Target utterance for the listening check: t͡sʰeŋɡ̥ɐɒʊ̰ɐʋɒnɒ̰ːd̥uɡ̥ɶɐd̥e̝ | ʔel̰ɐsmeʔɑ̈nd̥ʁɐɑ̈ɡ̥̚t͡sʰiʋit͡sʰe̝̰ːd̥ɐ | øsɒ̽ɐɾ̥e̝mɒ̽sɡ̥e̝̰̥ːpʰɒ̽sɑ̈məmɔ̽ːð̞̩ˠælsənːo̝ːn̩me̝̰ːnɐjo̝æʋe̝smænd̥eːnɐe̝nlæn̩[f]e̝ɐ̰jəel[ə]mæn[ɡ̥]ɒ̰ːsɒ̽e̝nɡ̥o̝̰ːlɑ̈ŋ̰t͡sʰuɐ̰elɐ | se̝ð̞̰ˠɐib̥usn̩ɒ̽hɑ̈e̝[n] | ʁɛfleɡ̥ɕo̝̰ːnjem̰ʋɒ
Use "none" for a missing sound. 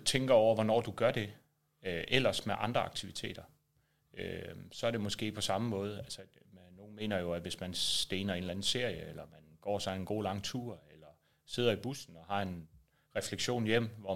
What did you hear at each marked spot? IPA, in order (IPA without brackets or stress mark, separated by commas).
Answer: s, ɐ, ɡ̥, n